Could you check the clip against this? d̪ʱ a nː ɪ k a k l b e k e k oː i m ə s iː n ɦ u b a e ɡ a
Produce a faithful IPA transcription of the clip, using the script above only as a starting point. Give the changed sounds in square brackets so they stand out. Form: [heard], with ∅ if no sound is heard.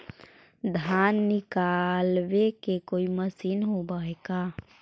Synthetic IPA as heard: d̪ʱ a nː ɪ k a [∅] l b e k e k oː i m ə s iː n ɦ [o] b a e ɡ a